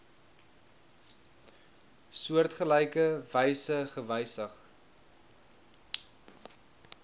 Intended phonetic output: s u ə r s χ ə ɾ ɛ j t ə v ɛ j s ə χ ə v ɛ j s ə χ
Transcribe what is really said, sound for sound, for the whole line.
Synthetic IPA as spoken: s u ə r t χ ə l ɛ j k ə v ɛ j s ə χ ə v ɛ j s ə χ